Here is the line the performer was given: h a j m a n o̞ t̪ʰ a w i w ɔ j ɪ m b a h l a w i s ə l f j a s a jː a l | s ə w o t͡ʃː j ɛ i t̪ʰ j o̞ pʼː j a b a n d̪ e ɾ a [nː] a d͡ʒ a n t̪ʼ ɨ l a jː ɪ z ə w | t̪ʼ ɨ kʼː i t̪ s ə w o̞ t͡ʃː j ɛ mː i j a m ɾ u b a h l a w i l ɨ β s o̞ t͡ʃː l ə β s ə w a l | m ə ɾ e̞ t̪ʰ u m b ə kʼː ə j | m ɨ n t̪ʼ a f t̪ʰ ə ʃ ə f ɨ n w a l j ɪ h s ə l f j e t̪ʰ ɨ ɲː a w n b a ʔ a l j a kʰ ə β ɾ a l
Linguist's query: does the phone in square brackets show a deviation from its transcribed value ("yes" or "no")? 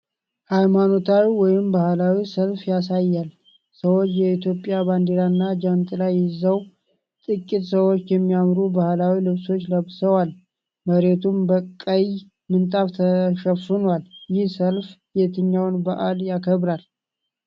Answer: no